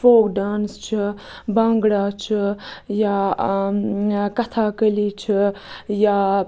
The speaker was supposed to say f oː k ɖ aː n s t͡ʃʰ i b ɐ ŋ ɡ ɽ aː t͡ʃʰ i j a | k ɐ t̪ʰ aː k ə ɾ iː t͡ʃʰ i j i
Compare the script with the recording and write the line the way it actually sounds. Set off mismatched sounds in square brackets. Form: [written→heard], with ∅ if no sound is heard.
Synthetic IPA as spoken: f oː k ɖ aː n s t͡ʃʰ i b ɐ ŋ ɡ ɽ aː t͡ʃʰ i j a | k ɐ t̪ʰ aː k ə [ɾ→l] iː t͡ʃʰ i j [i→a]

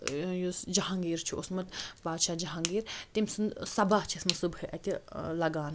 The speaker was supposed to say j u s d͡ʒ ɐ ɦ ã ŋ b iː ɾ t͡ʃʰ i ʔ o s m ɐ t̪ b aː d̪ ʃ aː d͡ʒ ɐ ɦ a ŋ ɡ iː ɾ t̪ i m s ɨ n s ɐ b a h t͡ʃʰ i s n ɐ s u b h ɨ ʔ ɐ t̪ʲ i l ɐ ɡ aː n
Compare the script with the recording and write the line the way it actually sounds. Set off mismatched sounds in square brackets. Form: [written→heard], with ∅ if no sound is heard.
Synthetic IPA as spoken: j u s d͡ʒ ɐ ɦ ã ŋ [b→ɡ] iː ɾ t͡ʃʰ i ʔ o s m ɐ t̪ b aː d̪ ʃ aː d͡ʒ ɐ ɦ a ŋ ɡ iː ɾ t̪ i m s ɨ n s ɐ b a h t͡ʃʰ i s [n→m] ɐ s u b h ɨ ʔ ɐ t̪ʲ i l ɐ ɡ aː n

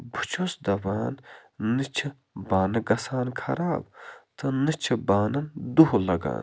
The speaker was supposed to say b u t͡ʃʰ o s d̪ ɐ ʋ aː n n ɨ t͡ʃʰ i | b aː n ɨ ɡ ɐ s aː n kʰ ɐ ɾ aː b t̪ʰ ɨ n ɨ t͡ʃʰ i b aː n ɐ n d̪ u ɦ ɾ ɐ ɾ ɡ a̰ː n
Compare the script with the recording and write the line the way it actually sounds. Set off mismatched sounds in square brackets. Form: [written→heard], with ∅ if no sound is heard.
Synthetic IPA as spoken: b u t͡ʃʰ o s d̪ ɐ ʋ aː n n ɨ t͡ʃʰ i | b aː n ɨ ɡ ɐ s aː n kʰ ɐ ɾ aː b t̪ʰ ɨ n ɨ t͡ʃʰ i b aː n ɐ n d̪ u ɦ [ɾ→l] ɐ [ɾ→∅] ɡ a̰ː n

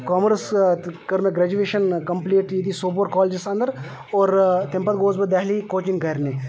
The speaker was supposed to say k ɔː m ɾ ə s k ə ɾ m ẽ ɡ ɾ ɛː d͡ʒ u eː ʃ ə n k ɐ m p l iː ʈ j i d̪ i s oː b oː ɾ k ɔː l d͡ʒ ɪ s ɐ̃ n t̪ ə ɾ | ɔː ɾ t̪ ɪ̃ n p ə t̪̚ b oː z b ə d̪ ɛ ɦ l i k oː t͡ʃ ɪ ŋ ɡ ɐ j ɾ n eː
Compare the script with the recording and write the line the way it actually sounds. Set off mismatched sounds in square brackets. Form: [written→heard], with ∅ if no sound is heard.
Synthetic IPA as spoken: k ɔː m ɾ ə s k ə ɾ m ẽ ɡ ɾ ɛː d͡ʒ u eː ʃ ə n k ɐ m p l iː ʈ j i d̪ i s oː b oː ɾ k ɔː l d͡ʒ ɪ s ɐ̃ n [t̪→d̪] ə ɾ | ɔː ɾ t̪ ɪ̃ [n→m] p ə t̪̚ [b→ɡ] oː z b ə d̪ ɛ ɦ l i k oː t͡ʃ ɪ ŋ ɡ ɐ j ɾ n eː

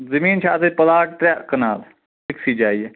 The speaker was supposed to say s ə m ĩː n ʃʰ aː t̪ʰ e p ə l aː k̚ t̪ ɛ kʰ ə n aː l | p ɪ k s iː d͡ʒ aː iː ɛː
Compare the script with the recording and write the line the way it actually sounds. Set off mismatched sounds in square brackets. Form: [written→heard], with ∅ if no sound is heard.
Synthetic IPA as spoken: [s→z] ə m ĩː n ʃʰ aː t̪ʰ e p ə l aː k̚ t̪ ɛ [kʰ→k] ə n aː l | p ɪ k s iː d͡ʒ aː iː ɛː

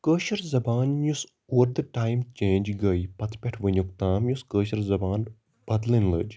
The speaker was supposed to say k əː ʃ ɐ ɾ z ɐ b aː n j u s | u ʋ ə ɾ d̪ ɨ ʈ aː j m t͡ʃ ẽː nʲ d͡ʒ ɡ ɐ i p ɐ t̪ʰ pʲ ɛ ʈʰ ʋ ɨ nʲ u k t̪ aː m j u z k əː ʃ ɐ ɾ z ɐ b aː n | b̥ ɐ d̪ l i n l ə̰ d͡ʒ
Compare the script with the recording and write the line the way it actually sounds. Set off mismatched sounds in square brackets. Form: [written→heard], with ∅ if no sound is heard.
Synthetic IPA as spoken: k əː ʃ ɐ ɾ z ɐ b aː n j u s | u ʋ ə ɾ d̪ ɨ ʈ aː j m t͡ʃ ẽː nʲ d͡ʒ ɡ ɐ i p ɐ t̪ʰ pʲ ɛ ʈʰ ʋ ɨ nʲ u k t̪ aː m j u [z→s] k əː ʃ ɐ ɾ z ɐ b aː n | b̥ ɐ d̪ l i n l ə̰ d͡ʒ

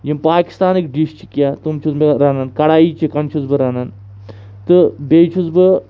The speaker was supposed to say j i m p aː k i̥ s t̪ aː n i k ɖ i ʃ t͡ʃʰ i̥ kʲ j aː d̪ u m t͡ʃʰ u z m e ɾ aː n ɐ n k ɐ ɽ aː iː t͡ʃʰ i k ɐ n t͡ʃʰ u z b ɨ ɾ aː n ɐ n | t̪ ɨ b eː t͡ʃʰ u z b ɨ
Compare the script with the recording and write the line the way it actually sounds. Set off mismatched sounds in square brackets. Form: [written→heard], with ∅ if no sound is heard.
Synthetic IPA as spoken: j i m p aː k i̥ s t̪ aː n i k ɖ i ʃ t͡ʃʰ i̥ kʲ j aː [d̪→t̪] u m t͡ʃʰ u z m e ɾ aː n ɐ n k ɐ ɽ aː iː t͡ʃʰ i k ɐ n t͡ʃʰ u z b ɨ ɾ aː n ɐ n | t̪ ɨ b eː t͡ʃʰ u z b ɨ

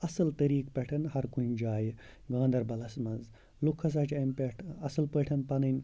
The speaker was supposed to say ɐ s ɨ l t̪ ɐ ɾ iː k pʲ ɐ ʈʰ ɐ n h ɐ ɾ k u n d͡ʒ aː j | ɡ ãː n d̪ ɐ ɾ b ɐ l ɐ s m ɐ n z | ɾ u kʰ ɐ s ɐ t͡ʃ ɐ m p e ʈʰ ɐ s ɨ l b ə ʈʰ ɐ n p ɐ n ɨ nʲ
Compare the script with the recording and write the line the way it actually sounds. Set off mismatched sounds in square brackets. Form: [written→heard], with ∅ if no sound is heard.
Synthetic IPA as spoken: ɐ s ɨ l t̪ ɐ ɾ iː k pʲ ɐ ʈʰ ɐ n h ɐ ɾ k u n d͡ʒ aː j | ɡ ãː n d̪ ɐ ɾ b ɐ l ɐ s m ɐ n z | [ɾ→l] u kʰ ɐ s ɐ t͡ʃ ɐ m p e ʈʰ ɐ s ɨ l [b→p] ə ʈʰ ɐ n p ɐ n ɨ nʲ

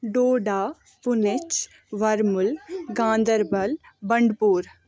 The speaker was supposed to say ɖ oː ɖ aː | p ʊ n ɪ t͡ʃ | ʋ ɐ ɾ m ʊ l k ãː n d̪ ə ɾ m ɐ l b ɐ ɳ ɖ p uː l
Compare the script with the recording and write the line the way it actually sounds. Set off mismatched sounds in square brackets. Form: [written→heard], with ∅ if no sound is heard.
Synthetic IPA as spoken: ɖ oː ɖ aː | p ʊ n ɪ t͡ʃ | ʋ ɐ ɾ m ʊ l [k→ɡ] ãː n d̪ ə ɾ [m→b] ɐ l b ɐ ɳ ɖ p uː [l→ɾ]

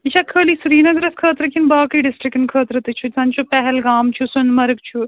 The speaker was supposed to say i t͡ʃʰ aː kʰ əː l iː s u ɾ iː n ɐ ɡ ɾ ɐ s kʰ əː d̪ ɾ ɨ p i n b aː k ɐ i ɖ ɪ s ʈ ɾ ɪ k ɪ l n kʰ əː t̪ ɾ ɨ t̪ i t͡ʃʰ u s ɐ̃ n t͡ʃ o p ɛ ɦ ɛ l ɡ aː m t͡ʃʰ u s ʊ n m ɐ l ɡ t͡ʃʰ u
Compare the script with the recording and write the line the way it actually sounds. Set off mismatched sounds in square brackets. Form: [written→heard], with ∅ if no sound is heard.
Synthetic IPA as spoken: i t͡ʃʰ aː kʰ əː l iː s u ɾ iː n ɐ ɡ ɾ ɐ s kʰ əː [d̪→t̪] ɾ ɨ [p→k] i n b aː k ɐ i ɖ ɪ s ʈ ɾ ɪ k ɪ [l→∅] n kʰ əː t̪ ɾ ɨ t̪ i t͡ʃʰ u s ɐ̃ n t͡ʃ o p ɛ ɦ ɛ l ɡ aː m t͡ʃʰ u s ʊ n m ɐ [l→ɾ] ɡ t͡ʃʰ u

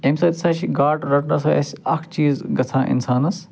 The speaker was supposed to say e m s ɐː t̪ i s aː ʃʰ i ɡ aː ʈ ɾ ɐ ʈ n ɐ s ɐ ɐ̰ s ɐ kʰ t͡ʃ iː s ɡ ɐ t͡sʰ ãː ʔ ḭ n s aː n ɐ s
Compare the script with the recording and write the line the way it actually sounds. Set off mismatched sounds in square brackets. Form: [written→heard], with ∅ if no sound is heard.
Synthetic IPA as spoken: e m s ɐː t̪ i s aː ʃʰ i ɡ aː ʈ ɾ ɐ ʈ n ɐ s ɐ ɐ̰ s ɐ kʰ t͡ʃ iː [s→z] ɡ ɐ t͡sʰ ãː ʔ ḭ n s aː n ɐ s

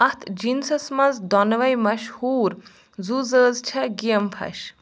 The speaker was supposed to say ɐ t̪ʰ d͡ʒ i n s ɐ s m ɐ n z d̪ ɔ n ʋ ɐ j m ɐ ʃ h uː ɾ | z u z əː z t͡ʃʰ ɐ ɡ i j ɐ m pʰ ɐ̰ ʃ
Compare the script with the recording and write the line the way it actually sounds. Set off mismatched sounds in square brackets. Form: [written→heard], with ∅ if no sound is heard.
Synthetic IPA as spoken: ɐ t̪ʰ d͡ʒ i n s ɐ s m ɐ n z d̪ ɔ n ʋ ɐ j m ɐ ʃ h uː ɾ | z u z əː z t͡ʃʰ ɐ ɡ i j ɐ m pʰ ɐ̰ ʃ

